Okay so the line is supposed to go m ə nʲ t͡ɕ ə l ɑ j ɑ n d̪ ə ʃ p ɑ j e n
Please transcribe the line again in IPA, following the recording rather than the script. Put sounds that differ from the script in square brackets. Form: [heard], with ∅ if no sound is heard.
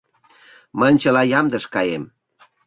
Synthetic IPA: m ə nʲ t͡ɕ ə l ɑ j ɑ [m] d̪ ə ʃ [k] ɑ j e [m]